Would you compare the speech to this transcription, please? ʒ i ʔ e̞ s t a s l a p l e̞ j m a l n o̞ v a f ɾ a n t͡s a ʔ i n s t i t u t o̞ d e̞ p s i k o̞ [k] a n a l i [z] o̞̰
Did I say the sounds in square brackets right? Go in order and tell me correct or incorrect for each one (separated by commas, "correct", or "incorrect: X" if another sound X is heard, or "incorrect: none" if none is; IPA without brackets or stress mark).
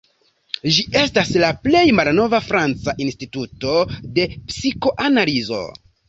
incorrect: ʔ, correct